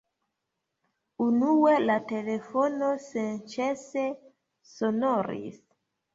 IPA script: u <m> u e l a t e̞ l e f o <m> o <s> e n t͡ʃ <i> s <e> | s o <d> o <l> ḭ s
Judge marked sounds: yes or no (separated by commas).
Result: no, no, yes, no, yes, no, no